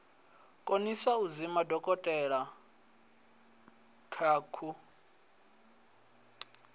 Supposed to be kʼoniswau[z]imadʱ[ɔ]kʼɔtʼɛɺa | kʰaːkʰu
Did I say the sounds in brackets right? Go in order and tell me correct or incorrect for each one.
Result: correct, correct

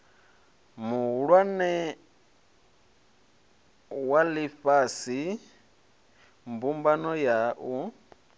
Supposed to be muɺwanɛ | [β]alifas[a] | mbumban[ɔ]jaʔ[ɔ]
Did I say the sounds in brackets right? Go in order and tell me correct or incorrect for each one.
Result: incorrect: w, incorrect: i, correct, incorrect: u

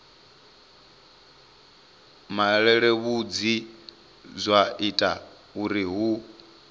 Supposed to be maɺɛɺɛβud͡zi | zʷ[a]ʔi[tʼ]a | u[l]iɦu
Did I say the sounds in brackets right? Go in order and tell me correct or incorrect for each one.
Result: correct, correct, incorrect: ɾ

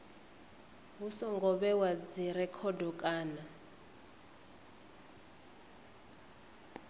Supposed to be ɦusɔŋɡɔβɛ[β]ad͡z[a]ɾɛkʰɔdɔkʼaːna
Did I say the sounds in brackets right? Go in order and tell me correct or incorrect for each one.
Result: incorrect: w, incorrect: i

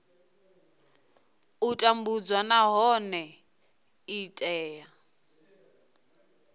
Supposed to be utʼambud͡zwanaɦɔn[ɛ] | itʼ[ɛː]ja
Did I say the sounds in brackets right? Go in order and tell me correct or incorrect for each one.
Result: correct, correct

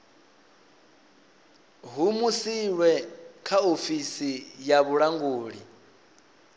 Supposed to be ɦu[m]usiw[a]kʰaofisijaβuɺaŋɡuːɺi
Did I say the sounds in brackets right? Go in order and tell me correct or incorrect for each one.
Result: correct, incorrect: ɛ

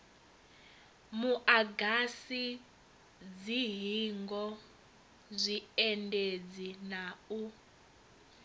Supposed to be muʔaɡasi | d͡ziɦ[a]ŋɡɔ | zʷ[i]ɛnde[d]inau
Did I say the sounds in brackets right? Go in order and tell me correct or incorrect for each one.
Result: incorrect: i, correct, incorrect: d͡z

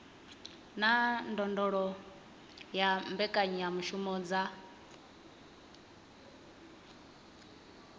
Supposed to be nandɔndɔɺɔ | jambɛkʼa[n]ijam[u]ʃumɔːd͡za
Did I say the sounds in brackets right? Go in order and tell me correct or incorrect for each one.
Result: incorrect: ɲ, correct

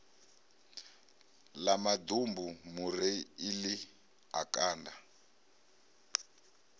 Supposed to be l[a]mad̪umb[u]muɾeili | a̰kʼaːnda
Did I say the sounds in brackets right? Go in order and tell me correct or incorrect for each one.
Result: correct, correct

